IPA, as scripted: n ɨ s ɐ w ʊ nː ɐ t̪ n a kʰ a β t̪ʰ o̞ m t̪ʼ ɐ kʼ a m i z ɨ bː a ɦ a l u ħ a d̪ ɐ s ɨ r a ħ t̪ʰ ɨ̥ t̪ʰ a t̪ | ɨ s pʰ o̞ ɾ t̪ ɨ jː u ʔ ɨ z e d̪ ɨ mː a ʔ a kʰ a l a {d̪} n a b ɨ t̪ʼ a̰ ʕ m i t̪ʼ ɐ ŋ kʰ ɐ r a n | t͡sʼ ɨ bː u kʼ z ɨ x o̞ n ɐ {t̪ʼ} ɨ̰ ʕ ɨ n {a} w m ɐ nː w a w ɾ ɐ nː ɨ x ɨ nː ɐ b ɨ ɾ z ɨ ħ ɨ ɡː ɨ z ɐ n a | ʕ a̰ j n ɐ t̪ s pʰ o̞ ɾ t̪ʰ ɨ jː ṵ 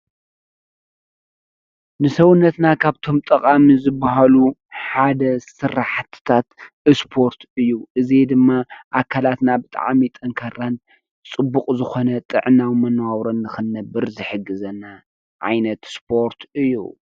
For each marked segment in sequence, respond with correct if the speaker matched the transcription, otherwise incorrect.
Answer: incorrect: t̪, correct, correct

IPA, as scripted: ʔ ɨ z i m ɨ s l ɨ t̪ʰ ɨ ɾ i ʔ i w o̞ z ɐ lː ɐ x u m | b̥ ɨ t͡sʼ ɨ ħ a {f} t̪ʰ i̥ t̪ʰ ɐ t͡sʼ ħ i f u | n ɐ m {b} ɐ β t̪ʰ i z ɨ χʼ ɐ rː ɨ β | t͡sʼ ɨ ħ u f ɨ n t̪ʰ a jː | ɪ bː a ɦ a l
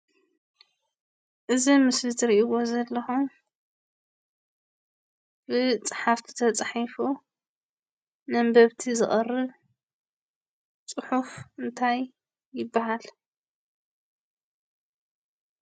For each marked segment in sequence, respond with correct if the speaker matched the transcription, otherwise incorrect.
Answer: correct, correct

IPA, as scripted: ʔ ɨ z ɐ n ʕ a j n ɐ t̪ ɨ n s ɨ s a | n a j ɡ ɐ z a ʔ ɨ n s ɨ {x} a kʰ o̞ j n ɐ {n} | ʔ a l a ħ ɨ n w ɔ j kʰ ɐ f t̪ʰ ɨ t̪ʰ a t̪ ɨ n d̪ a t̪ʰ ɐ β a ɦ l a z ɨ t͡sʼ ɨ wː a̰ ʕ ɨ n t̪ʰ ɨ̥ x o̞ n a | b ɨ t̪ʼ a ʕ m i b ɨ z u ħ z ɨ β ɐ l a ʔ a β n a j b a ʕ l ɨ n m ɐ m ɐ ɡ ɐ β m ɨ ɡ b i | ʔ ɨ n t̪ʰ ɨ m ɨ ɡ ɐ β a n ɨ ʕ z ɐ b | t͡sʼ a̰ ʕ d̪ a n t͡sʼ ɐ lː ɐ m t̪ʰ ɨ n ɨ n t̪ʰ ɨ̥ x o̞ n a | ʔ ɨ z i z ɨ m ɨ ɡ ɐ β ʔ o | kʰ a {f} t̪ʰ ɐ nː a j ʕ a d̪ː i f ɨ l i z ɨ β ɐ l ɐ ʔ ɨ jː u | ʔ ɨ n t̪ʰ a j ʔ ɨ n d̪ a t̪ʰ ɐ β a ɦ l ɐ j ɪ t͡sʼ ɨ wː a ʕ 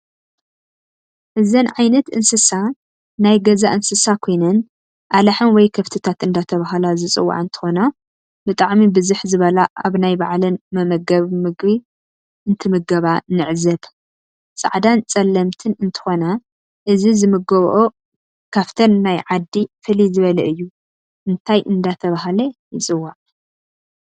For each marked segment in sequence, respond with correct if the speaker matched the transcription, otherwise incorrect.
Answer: incorrect: s, correct, correct

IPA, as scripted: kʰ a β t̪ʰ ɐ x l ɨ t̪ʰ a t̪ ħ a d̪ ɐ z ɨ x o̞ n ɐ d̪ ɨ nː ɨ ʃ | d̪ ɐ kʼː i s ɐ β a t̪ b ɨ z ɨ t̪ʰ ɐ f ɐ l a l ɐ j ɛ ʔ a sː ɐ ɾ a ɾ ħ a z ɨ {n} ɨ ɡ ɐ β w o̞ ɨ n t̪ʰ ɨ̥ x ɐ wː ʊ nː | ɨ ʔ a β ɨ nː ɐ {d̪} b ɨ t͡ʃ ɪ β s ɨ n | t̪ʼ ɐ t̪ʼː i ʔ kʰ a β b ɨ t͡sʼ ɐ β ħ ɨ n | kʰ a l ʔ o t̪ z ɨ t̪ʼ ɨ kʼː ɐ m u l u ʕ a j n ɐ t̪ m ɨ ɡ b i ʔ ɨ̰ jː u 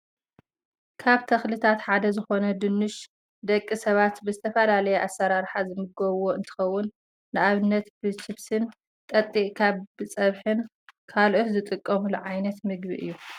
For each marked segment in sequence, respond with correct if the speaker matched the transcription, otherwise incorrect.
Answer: incorrect: m, incorrect: t̪

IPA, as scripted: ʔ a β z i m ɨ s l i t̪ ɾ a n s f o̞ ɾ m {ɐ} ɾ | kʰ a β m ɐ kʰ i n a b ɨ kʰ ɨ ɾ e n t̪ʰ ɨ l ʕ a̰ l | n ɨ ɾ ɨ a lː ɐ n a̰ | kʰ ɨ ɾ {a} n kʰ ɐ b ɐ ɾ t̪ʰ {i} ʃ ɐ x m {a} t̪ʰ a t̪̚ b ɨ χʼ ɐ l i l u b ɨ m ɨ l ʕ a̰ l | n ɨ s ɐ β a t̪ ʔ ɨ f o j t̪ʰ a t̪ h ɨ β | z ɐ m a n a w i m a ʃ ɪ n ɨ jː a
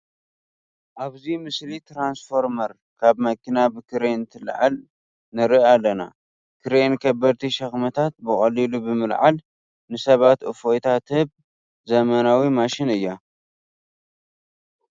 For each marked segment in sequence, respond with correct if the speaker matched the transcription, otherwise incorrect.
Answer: correct, incorrect: e, correct, incorrect: ɐ

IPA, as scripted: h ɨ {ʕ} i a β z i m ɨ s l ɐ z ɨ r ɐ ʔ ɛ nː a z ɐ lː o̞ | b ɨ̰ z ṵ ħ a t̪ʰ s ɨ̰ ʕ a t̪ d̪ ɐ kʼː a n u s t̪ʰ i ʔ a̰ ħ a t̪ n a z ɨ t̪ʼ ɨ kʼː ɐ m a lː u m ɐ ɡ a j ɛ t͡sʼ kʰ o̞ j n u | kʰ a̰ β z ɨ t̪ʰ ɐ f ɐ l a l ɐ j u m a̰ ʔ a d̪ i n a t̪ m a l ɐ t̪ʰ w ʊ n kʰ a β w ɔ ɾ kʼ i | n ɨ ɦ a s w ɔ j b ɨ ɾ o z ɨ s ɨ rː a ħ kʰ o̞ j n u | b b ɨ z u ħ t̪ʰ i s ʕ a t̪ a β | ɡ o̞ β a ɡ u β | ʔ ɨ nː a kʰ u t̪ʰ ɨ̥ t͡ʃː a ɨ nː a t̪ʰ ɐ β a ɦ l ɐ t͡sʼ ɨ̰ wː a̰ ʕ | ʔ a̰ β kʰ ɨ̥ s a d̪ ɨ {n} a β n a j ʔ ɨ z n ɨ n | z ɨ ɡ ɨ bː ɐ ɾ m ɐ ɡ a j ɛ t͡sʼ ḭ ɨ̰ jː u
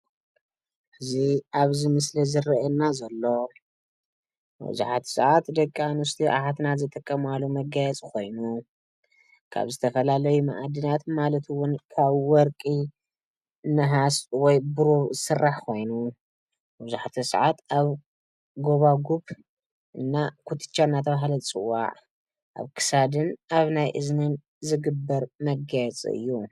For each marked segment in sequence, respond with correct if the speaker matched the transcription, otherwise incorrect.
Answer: incorrect: z, correct

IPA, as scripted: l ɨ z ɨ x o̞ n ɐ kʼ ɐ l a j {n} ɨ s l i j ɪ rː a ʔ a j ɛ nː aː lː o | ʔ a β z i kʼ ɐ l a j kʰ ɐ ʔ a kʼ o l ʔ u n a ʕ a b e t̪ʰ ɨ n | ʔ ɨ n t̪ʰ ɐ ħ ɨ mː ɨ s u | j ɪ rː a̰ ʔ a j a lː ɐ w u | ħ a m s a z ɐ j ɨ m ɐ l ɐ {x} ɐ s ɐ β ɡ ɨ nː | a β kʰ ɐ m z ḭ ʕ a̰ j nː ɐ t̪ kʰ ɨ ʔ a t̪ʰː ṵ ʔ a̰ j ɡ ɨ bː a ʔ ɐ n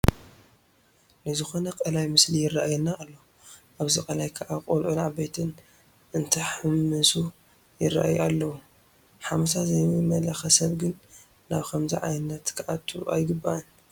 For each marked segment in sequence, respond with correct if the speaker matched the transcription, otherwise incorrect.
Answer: incorrect: m, correct

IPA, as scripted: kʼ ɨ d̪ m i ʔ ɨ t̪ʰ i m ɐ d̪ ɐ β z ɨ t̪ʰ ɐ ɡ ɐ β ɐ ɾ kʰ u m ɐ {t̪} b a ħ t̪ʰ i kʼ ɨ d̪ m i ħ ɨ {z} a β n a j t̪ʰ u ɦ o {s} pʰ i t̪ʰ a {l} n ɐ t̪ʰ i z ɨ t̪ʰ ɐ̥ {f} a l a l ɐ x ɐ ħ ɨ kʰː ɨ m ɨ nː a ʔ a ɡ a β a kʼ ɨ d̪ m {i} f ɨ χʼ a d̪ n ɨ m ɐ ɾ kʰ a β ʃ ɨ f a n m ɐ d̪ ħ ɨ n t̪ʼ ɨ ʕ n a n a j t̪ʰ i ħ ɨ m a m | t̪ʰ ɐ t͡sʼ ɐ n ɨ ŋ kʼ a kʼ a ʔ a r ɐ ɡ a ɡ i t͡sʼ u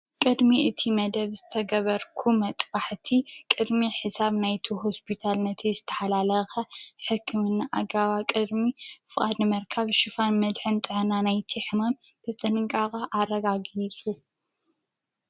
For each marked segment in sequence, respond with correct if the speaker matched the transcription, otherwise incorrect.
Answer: incorrect: t̪ʼ, incorrect: s, correct, correct, incorrect: ħ, correct

